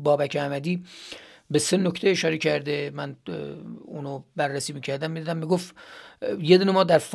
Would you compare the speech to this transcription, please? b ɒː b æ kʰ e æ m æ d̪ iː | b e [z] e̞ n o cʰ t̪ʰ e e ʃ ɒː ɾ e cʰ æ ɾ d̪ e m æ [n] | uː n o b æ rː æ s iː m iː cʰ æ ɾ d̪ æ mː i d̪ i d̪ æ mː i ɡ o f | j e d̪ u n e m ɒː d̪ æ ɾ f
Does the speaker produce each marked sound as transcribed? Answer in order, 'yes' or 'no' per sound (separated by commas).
no, yes